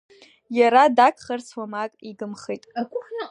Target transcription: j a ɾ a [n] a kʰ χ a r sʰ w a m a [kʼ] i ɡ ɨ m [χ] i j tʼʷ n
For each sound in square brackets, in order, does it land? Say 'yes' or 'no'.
no, yes, yes

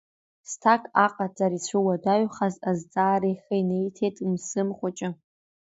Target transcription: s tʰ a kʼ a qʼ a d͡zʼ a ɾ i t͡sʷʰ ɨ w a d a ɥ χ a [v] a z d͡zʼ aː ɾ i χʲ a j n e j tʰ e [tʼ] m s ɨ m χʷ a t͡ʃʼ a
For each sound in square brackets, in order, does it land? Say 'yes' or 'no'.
no, yes

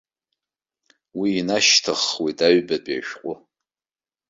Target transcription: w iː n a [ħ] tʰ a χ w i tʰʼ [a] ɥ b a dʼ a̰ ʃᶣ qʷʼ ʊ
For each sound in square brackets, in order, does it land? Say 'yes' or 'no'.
no, yes

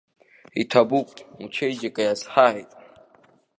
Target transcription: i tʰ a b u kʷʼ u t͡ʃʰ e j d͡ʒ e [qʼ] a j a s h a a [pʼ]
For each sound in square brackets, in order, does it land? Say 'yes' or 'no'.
no, no

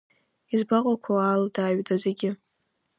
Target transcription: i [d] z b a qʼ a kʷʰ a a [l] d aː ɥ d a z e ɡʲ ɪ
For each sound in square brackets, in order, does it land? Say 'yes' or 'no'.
no, yes

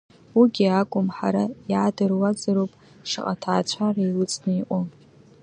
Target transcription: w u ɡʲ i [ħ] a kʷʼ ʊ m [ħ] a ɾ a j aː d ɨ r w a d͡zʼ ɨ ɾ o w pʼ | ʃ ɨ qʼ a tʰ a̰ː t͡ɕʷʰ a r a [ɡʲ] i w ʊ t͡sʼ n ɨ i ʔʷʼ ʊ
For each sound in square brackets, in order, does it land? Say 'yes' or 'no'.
no, yes, no

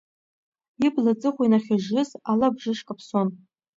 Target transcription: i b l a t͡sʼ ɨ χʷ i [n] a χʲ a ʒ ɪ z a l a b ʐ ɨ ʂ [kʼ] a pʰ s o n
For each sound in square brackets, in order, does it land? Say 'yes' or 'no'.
yes, yes

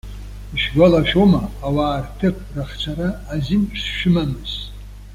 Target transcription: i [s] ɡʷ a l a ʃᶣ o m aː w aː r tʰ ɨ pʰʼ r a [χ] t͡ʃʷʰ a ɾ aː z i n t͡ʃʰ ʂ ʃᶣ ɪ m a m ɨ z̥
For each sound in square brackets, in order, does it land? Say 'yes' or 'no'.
no, yes

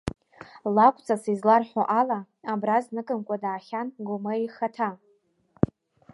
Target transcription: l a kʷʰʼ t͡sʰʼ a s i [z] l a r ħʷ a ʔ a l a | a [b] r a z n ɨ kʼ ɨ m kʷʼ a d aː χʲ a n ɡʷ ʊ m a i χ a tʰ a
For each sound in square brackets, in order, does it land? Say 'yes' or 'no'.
yes, yes

